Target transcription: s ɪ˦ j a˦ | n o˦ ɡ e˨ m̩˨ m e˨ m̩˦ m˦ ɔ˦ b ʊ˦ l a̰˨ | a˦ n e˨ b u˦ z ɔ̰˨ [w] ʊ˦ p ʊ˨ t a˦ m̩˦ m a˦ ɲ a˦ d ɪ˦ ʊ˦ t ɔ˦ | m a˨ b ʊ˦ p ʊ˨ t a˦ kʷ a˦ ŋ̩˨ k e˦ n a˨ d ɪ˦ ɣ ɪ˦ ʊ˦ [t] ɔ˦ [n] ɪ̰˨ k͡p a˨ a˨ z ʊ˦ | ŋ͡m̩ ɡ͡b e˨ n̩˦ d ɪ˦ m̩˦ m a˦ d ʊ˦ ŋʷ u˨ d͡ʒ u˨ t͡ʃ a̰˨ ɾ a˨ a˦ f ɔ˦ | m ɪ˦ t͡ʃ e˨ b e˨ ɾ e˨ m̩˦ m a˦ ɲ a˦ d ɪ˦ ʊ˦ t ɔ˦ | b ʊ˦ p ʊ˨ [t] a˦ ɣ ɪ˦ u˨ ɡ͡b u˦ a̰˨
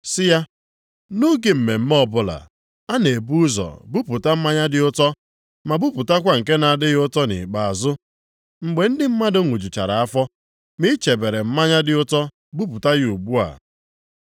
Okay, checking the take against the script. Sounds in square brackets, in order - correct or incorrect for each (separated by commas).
incorrect, correct, correct, correct